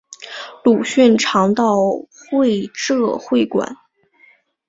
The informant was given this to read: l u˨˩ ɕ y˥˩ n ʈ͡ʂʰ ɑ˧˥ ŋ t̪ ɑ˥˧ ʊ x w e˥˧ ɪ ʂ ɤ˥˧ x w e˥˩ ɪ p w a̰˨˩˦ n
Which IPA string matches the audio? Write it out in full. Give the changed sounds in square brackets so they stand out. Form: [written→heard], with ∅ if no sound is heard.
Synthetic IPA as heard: l u˨˩ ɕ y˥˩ n ʈ͡ʂʰ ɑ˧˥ ŋ t̪ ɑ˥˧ ʊ x w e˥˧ ɪ [ʂ→ʈ͡ʂ] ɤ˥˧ x w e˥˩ ɪ [p→k] w a̰˨˩˦ n